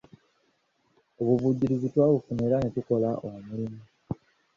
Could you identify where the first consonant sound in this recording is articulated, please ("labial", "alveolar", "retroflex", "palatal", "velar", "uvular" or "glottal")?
labial